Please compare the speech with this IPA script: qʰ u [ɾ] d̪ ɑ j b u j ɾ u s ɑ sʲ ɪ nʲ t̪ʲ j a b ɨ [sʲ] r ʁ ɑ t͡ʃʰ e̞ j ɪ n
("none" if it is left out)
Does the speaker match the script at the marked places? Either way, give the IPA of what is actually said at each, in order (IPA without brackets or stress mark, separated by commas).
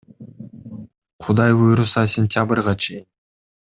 none, none